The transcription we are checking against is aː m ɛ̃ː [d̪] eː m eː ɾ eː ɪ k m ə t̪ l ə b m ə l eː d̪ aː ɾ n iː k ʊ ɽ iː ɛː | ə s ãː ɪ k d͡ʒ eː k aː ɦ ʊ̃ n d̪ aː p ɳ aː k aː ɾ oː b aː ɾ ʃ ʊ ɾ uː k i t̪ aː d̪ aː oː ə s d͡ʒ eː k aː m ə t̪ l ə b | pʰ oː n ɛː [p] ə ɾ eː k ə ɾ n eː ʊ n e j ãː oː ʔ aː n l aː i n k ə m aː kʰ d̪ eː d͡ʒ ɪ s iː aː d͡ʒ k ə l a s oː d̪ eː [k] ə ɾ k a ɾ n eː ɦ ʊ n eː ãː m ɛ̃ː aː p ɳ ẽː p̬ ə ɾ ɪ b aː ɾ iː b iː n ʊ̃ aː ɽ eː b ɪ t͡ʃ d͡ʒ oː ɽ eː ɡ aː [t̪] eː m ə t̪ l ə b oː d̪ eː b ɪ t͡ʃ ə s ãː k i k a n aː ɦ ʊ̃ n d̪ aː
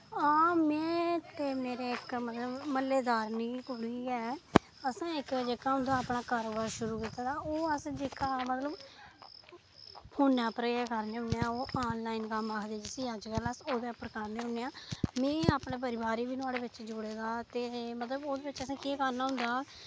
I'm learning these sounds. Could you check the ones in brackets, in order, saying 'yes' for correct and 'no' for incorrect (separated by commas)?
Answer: no, yes, no, yes